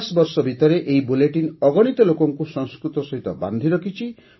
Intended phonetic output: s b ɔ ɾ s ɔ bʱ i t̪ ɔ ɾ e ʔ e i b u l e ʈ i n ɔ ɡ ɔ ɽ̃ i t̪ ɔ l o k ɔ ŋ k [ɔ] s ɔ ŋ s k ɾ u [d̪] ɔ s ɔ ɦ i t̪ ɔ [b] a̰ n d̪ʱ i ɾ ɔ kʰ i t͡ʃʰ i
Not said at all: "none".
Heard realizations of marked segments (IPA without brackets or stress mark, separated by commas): u, t̪, b